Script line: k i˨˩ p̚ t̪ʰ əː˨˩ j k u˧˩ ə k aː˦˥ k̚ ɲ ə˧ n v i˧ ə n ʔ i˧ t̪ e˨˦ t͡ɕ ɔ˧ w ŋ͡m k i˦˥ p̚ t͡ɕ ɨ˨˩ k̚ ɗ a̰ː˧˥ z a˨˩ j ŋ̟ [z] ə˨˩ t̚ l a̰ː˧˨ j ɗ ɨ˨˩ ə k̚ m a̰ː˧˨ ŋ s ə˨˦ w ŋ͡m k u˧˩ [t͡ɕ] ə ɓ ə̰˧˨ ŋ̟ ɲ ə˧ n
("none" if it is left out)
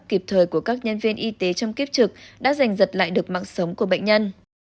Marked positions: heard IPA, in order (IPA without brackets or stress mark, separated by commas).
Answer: z, none